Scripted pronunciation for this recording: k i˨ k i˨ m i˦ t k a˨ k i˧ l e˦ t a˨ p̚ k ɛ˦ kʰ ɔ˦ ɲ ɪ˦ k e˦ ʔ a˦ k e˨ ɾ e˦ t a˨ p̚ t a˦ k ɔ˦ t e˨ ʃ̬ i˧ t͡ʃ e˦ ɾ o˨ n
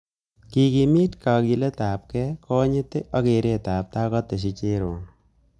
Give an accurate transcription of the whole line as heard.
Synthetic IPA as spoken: k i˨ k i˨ m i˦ t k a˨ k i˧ l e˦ t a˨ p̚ k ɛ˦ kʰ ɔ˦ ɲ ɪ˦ t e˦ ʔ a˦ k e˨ ɾ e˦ t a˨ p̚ t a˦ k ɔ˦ t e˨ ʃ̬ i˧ t͡ʃ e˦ ɾ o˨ n